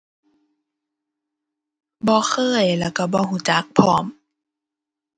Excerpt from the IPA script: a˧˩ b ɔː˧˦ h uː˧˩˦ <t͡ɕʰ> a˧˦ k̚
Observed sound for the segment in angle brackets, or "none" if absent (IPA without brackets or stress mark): t͡ɕ